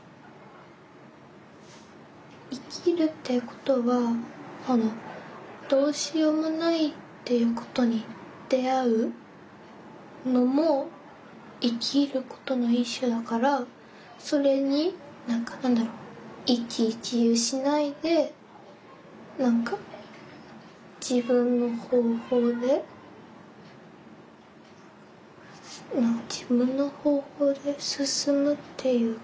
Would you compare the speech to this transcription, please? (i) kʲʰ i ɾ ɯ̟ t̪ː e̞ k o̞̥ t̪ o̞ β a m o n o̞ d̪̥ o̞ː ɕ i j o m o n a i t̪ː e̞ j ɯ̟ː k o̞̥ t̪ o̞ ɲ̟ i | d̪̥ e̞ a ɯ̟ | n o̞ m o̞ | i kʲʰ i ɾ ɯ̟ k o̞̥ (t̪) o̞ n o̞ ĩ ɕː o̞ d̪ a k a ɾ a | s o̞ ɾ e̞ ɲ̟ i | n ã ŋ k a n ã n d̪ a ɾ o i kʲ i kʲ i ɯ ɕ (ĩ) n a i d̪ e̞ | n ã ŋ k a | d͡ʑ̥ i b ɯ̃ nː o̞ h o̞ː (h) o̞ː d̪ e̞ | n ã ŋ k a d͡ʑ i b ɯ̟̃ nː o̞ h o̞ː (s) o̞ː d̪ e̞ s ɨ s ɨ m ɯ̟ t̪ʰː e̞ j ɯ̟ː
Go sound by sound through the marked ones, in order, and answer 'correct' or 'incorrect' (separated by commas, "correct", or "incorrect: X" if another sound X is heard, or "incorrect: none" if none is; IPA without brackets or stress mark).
correct, correct, incorrect: i, correct, incorrect: h